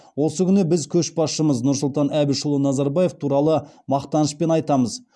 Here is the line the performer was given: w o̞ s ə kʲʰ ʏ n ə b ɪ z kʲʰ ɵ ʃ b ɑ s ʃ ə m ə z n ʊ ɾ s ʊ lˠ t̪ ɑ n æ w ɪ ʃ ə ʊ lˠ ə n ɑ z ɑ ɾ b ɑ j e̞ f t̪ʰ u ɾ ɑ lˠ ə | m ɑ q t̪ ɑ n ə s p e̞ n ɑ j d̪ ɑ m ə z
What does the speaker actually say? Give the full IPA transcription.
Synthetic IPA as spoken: w o̞ s ə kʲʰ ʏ n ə b ɪ z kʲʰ ɵ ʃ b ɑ s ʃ ə m ə z n ʊ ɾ s ʊ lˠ t̪ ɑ n æ b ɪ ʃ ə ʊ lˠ ə n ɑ z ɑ ɾ b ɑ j e̞ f t̪ʰ u ɾ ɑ lˠ ə | m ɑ q t̪ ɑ n ə s p e̞ n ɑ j t̪ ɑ m ə z

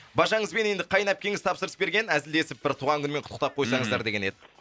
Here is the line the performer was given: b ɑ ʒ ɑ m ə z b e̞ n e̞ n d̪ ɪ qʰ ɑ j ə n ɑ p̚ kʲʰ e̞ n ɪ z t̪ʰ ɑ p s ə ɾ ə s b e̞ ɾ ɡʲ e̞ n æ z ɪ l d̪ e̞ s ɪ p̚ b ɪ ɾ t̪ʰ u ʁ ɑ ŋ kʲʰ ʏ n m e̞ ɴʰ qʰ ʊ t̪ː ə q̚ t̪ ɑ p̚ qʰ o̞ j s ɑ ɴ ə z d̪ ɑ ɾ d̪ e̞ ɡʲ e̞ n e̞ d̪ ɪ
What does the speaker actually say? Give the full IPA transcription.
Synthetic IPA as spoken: b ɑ ʒ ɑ ɴ ə z b e̞ n e̞ n d̪ ɪ qʰ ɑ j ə n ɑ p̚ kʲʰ e̞ ŋ ɪ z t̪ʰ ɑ p s ə ɾ ə s b e̞ ɾ ɡʲ e̞ n æ z ɪ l d̪ e̞ s ɪ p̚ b ɪ ɾ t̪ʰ u ʁ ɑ ŋ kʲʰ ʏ n m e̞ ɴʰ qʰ ʊ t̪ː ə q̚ t̪ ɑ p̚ qʰ o̞ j s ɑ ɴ ə z d̪ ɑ ɾ d̪ e̞ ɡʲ e̞ n e̞ d̪ ɪ

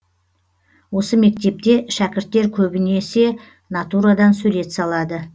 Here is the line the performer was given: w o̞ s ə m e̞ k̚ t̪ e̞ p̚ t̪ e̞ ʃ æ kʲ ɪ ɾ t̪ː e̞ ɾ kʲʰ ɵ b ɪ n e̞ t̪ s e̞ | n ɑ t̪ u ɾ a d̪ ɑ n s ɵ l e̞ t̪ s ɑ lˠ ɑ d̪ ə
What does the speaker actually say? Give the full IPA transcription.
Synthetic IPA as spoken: w o̞ s ə m e̞ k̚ t̪ e̞ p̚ t̪ e̞ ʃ æ kʲ ɪ ɾ t̪ː e̞ ɾ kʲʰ ɵ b ɪ n e̞ s e̞ | n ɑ t̪ u ɾ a d̪ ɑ n s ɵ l e̞ t̪ s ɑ lˠ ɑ d̪ ə

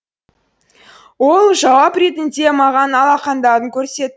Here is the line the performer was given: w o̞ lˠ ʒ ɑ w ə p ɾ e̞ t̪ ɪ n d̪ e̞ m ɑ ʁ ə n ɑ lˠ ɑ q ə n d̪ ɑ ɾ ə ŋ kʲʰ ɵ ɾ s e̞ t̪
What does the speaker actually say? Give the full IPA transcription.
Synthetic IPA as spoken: w o̞ lˠ ʒ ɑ w ɑ p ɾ e̞ t̪ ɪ n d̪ e̞ m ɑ ʁ ɑ n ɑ lˠ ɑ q ɑ n d̪ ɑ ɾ ə ŋ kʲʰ ɵ ɾ s e̞ t̪

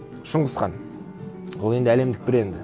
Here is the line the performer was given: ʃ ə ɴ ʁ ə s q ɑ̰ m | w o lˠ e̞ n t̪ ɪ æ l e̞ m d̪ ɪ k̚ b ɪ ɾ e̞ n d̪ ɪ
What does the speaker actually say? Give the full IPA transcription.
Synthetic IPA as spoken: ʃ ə ɴ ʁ ə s q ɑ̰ n | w o lˠ e̞ n d̪ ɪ æ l e̞ m d̪ ɪ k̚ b ɪ ɾ e̞ n d̪ ɪ

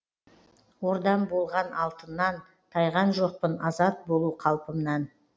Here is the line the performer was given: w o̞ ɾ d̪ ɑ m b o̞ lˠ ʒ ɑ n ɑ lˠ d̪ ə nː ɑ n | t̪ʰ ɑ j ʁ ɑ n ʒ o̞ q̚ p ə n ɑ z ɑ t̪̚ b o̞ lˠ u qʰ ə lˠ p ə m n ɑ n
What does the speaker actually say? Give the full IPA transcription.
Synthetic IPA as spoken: w o̞ ɾ d̪ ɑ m b o̞ lˠ ʁ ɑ n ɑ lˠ t̪ ə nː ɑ n | t̪ʰ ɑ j ʁ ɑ n ʒ o̞ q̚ p ə n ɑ z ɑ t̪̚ b o̞ lˠ u qʰ ɑ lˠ p ə m n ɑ n

